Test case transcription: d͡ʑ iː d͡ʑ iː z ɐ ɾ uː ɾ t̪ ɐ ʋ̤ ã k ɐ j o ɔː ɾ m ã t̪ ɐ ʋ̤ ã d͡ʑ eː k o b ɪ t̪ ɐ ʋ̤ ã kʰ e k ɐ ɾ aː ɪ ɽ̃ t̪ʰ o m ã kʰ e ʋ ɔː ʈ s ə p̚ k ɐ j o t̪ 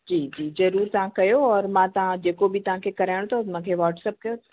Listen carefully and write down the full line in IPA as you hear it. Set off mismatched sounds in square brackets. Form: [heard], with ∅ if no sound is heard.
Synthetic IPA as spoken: d͡ʑ iː d͡ʑ iː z ɐ ɾ uː ɾ t̪ ɐ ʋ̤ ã k ɐ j o ɔː ɾ m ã t̪ ɐ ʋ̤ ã d͡ʑ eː k o b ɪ t̪ ɐ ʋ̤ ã kʰ e k ɐ ɾ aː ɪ ɽ̃ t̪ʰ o m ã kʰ e ʋ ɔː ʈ s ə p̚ k ɐ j o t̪